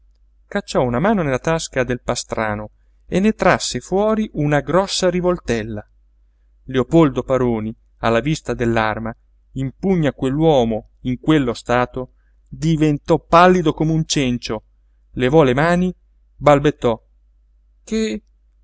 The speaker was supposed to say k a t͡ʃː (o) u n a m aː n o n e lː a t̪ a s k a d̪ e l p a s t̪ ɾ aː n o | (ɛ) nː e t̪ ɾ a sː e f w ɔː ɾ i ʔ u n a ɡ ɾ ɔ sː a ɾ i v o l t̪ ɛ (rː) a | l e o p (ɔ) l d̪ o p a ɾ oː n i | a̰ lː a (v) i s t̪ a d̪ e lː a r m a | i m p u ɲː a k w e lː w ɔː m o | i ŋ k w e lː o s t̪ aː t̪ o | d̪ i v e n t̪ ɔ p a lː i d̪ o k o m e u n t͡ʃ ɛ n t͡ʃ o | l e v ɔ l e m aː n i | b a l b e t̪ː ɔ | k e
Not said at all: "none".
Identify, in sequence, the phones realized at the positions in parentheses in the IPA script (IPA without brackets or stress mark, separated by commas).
ɔ, e, lː, o, v